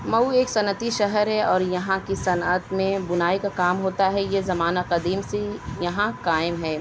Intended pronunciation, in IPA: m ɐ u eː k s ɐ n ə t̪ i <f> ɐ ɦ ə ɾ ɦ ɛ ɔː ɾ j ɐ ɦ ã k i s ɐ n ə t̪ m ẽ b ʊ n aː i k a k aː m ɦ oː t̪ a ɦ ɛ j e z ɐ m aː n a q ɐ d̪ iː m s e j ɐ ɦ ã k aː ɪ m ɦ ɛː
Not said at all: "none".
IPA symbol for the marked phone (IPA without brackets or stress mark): ʃ